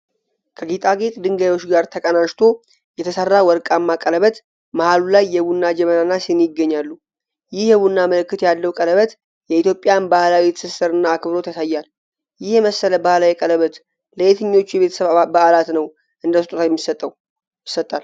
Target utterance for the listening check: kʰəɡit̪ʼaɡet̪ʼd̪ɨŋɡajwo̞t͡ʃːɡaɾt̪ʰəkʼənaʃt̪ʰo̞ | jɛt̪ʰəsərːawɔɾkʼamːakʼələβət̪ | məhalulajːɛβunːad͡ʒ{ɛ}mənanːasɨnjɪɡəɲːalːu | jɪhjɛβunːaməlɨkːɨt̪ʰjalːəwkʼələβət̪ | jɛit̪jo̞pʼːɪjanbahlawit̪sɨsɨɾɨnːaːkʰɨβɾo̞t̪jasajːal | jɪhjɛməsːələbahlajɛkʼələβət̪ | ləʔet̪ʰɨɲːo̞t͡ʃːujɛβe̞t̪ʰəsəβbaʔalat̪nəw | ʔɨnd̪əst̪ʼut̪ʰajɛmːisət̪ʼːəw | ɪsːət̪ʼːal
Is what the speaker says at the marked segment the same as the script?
yes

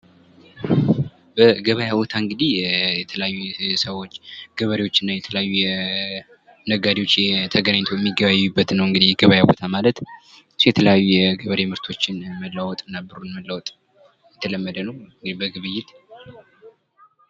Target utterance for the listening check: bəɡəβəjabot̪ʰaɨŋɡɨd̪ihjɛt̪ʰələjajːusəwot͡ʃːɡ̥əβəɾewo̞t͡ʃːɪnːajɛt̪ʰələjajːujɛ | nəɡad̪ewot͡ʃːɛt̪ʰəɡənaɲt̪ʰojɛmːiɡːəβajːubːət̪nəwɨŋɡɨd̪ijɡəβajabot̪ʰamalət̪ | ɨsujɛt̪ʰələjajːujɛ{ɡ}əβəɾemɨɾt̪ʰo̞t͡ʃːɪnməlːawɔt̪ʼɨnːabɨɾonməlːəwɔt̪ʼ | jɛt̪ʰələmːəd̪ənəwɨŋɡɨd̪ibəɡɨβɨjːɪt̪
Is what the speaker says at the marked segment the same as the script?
yes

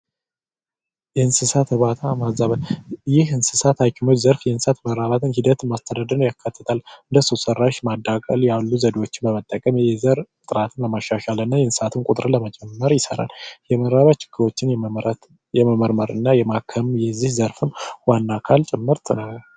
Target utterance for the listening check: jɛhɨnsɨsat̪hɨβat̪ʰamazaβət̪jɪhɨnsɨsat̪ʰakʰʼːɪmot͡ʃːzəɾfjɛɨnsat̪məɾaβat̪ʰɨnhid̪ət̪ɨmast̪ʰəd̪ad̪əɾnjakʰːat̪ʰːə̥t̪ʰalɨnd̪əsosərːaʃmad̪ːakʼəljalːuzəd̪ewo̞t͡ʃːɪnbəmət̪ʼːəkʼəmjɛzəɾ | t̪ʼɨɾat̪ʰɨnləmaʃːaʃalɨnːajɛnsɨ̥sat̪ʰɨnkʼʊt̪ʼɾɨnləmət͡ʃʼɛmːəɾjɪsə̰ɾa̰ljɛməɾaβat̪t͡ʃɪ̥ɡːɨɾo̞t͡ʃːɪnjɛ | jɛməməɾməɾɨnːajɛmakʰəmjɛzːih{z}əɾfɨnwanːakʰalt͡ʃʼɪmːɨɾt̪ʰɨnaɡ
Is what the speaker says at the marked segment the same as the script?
yes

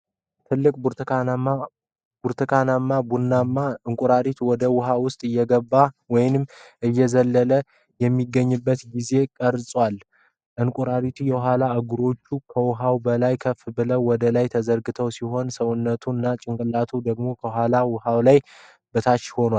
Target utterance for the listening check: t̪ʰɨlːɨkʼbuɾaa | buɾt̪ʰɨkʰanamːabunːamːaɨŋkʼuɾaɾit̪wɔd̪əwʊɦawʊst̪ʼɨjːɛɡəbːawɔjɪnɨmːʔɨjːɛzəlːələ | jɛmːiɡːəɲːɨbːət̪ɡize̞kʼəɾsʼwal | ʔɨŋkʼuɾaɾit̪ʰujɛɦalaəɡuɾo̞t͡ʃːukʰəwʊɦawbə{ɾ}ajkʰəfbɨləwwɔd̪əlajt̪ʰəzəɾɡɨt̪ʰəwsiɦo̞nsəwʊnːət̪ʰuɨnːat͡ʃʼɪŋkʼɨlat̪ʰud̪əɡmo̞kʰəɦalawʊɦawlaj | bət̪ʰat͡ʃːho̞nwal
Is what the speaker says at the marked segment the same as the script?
no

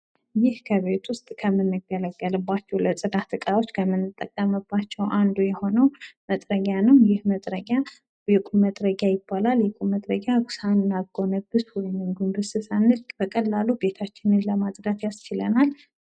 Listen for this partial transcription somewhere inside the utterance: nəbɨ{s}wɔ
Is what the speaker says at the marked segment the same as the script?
yes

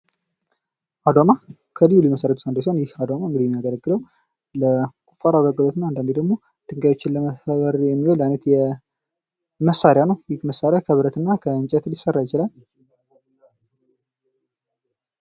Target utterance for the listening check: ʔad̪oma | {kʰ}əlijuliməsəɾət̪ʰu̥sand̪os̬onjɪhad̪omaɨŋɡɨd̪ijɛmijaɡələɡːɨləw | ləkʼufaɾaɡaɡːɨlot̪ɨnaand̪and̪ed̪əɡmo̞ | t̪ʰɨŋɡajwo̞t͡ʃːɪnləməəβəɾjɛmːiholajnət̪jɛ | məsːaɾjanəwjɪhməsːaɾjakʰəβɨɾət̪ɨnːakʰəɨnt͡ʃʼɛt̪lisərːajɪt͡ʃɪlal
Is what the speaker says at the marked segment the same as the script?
yes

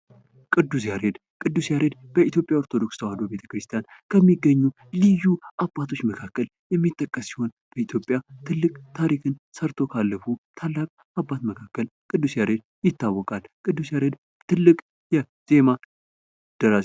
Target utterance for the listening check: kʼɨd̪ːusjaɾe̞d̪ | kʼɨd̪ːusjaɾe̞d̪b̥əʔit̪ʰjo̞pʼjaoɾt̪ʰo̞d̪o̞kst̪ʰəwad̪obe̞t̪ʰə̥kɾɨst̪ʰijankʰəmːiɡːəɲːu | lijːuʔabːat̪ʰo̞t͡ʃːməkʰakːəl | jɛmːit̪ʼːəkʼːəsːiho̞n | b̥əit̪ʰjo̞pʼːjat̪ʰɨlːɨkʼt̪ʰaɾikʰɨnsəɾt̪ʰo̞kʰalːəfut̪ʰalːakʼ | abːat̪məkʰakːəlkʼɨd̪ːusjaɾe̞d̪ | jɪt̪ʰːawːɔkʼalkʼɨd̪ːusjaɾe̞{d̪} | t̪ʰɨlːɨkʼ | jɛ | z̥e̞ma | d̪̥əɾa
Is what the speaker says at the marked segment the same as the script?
yes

